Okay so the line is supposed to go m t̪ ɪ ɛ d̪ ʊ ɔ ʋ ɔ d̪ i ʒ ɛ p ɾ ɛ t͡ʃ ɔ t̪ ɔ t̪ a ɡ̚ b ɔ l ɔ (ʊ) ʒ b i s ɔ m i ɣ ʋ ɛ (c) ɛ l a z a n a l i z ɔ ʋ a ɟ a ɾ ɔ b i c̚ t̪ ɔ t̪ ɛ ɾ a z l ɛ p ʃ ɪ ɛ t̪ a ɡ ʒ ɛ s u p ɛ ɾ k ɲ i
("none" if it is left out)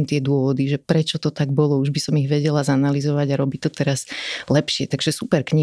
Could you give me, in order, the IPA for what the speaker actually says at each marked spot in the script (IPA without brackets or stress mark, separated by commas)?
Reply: u, ɟ